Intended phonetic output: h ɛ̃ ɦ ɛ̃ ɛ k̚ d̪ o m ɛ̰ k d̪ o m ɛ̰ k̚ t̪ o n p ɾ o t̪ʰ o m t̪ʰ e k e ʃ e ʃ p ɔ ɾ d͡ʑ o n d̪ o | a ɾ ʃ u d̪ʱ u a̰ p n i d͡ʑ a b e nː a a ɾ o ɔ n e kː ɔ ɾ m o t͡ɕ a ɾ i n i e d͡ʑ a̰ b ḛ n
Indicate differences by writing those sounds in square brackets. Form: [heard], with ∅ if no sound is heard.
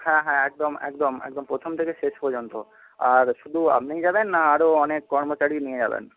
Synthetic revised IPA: h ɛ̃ ɦ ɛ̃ ɛ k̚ d̪ o m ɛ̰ k d̪ o m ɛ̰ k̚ [d̪] o [m] p ɾ o t̪ʰ o m t̪ʰ e k e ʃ e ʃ p ɔ ɾ d͡ʑ o n [t̪] o | a ɾ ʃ u d̪ʱ u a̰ p n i d͡ʑ a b e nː a a ɾ o ɔ n e kː ɔ ɾ m o t͡ɕ a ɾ i n i e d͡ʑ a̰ b ḛ n

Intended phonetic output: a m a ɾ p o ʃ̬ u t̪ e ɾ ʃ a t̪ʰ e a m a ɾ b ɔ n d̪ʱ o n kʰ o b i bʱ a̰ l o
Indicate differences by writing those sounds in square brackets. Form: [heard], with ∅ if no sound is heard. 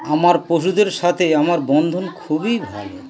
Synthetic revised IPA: a m a ɾ p o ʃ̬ u [d̪] e ɾ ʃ a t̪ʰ e a m a ɾ b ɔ n d̪ʱ o n kʰ [u] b i bʱ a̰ l o

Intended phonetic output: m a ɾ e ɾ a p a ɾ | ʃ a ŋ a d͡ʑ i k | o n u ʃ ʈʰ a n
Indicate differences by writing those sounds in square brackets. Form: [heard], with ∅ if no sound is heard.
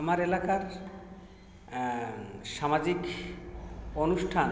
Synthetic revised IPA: m a ɾ e [l] a [k] a ɾ | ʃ a [m] a d͡ʑ i k | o n u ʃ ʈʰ a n

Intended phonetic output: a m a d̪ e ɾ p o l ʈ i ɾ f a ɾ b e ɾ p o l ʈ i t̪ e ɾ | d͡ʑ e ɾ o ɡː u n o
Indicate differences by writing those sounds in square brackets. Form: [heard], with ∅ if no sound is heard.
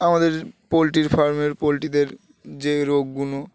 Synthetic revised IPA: a m a d̪ e ɾ p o l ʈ i ɾ f a ɾ [m] e ɾ p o l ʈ i [d̪] e ɾ | d͡ʑ e ɾ o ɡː u n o

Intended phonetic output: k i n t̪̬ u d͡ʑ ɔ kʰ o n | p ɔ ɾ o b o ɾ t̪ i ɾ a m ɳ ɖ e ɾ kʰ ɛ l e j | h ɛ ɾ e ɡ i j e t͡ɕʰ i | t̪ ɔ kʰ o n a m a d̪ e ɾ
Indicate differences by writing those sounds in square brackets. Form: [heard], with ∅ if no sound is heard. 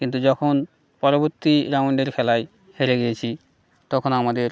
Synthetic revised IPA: k i n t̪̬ u d͡ʑ ɔ kʰ o n | p ɔ ɾ o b o ɾ t̪ i ɾ a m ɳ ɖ e ɾ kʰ ɛ l [a] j | h [e] ɾ e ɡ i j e t͡ɕʰ i | t̪ ɔ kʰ o n a m a d̪ e ɾ

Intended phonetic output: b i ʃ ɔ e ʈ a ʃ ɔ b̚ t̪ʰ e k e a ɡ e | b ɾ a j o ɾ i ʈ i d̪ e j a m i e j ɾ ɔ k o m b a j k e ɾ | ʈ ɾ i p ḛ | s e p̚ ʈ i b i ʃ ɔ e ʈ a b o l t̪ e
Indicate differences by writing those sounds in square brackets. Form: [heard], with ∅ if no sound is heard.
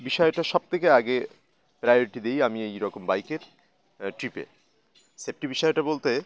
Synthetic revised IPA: b i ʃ ɔ e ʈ a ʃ ɔ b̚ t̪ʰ e k e a ɡ e | [p] ɾ a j o ɾ i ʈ i d̪ e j a m i e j ɾ ɔ k o m b a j k e ɾ | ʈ ɾ i p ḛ | s e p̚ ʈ i b i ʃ ɔ e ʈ a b o l t̪ e

